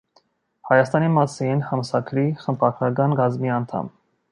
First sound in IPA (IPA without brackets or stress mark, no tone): h